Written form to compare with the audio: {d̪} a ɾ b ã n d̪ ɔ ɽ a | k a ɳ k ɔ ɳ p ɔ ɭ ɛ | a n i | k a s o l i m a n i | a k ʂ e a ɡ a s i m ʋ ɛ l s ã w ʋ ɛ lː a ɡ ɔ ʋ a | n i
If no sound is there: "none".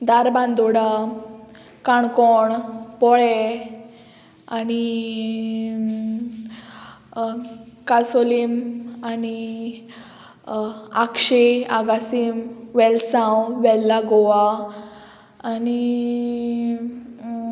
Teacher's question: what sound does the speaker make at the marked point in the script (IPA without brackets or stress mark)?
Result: d̪